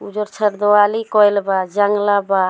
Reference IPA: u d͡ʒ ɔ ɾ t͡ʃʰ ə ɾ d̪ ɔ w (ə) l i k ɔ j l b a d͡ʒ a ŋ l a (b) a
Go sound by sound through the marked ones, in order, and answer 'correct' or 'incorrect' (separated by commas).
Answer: incorrect, correct